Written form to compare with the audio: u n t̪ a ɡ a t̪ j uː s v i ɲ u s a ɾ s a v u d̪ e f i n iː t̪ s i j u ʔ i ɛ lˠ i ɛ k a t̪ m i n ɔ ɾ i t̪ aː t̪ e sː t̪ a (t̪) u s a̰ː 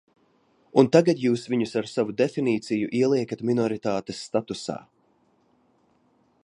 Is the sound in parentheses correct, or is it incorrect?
correct